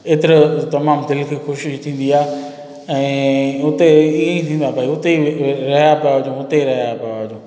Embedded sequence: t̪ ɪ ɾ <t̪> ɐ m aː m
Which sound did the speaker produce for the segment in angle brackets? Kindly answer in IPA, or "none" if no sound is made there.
t̪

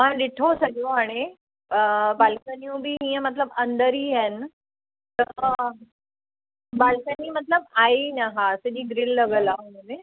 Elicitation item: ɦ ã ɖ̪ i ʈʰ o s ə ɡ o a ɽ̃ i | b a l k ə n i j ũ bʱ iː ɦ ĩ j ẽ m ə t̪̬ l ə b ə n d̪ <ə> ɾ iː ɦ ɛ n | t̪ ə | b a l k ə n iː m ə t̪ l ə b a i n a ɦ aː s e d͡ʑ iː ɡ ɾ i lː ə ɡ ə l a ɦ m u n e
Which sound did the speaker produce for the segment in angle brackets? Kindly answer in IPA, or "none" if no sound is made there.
ə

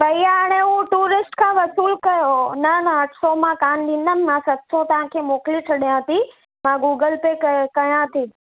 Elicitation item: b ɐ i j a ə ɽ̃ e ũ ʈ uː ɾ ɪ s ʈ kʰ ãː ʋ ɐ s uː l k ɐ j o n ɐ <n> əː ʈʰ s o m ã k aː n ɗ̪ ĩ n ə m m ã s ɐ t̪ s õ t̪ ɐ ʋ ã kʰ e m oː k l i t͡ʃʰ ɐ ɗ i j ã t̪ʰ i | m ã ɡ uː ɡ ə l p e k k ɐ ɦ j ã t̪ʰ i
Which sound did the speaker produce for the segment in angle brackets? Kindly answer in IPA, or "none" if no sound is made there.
n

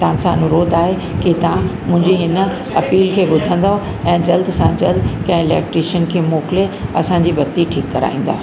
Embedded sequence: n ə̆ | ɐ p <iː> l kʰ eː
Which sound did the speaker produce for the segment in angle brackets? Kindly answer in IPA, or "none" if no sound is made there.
iː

